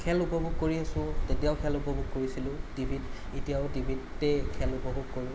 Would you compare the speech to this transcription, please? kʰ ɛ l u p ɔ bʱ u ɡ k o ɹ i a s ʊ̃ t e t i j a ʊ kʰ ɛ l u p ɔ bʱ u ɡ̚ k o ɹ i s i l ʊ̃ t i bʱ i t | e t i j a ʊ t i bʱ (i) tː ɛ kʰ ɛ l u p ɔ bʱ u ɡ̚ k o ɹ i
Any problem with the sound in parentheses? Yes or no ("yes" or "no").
no